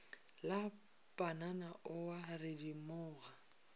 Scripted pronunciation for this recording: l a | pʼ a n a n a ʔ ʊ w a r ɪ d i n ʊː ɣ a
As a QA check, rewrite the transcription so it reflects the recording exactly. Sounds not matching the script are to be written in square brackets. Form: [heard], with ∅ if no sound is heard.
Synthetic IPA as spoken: l a | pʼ a n a n a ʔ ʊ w a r ɪ d i [m] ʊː ɣ a

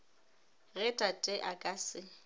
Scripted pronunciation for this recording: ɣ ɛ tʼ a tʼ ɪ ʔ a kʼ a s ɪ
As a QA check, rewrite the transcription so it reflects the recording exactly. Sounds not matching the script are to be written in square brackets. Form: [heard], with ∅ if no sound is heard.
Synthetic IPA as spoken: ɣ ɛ tʼ a tʼ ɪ ʔ a kʼ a s ɪ

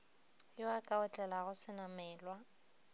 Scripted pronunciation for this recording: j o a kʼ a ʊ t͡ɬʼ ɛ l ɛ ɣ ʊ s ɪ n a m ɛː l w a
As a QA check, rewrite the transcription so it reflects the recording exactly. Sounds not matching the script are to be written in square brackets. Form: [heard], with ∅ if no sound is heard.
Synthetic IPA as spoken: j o a kʼ a ʊ t͡ɬʼ ɛ l [a] ɣ ʊ s ɪ n a m ɛː l w a

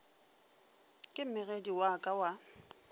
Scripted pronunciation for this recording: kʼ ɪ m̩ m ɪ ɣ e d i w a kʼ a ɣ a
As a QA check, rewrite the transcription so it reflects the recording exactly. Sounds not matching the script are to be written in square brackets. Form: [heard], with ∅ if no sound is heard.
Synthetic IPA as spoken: kʼ ɪ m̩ m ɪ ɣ e d i w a kʼ a [w] a

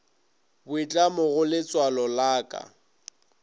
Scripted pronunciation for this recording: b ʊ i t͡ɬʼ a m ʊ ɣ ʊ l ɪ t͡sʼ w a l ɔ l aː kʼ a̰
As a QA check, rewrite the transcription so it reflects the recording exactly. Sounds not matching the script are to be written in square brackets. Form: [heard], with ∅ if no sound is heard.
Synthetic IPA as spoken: b ʊ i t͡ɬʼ a m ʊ ɣ ʊ l ɪ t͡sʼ w a l ɔ l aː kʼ a̰

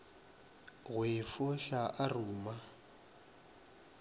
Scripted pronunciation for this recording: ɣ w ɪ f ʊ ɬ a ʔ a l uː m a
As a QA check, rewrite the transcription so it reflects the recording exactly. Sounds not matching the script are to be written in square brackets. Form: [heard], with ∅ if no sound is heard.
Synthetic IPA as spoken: ɣ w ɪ f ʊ ɬ a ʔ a [r] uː m a

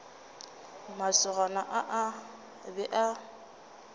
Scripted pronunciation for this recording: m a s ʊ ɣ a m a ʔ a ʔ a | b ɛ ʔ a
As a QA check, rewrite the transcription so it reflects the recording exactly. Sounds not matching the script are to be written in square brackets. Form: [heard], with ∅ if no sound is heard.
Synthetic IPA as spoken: m a s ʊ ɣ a [n] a ʔ a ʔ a | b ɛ ʔ a

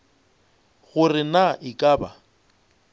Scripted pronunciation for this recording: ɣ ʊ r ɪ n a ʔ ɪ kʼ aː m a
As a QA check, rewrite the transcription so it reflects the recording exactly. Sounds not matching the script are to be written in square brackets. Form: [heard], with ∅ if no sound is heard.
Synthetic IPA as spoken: ɣ ʊ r ɪ n a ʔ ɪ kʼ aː [b] a

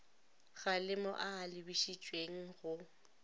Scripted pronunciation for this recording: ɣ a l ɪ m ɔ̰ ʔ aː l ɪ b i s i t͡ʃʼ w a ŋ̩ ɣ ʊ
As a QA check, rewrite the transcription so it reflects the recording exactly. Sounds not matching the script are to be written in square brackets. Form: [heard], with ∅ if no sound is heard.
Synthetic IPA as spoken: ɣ a l ɪ m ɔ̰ ʔ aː l ɪ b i [ʃ] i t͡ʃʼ w [e] ŋ̩ ɣ ʊ

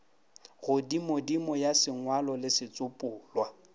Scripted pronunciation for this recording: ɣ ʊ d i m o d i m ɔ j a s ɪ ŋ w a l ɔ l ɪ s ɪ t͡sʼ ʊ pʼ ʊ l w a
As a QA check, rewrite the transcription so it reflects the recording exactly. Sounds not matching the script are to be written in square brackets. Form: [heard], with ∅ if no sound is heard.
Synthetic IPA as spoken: ɣ ʊ d i m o d i m ɔ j a s ɪ ŋ w a l ɔ l ɪ s ɪ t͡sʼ ʊ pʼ [ʊː] l w a

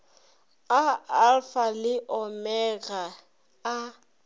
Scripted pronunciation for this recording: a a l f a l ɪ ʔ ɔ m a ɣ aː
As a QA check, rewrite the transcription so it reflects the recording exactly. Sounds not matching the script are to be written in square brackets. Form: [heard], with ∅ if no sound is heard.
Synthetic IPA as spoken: a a l f a l ɪ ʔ ɔ m [ɛ] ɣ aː

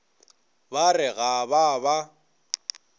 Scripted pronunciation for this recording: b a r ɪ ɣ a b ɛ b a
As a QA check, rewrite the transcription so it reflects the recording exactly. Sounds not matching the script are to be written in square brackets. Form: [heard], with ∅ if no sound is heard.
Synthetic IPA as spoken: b a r ɪ ɣ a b [a] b a

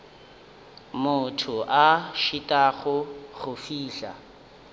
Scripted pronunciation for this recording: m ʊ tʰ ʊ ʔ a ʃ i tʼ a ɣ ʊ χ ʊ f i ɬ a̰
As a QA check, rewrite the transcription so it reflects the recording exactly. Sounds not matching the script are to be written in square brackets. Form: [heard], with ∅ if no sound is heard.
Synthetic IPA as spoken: m ʊ tʰ ʊ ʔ a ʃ i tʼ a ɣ ʊ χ ʊ f [iː] ɬ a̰

